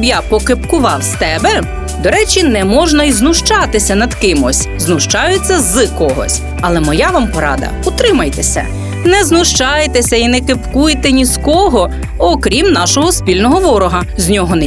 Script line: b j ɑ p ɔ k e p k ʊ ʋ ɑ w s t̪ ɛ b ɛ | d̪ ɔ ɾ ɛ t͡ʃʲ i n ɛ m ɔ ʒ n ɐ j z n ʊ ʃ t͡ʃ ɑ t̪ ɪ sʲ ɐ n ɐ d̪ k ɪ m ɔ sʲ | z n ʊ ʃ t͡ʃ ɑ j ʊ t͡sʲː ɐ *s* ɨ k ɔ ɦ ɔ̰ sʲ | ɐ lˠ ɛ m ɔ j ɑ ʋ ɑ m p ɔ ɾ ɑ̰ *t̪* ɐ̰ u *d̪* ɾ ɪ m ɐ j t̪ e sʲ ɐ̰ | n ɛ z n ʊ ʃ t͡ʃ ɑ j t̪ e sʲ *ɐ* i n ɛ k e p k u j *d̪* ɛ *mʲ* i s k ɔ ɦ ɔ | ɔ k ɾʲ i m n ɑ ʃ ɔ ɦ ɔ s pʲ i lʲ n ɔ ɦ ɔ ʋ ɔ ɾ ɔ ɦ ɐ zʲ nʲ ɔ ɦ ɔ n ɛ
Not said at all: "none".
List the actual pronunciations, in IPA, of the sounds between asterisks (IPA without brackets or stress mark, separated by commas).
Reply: z, d̪, t̪, ɐ, t̪, nʲ